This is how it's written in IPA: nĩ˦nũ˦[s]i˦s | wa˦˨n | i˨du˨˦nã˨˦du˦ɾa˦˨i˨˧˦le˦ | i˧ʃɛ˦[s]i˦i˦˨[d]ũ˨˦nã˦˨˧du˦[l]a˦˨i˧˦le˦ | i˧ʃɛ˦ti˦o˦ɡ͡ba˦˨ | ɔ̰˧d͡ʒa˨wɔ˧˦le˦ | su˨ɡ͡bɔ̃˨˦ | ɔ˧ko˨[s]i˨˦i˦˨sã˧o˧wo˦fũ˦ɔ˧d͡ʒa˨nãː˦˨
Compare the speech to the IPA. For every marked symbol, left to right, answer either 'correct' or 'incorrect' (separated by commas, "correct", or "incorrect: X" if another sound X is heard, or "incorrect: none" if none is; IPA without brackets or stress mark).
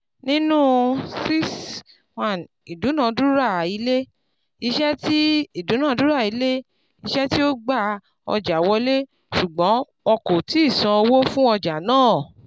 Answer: correct, incorrect: t, correct, incorrect: ɾ, incorrect: t